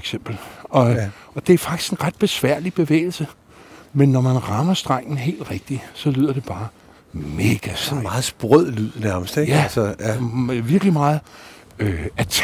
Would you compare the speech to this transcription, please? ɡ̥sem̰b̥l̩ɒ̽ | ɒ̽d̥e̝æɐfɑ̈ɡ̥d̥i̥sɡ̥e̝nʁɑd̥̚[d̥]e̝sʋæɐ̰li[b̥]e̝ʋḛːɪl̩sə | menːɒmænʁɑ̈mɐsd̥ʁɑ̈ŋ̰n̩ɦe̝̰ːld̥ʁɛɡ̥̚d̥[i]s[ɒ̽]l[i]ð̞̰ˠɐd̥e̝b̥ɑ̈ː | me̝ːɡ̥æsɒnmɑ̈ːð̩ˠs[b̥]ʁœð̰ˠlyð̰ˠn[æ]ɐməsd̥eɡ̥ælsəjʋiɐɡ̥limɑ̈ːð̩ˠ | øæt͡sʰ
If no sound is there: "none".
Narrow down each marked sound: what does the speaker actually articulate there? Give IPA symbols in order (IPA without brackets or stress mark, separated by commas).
b̥, b̥, i, ɒ̽, y, b̥, æ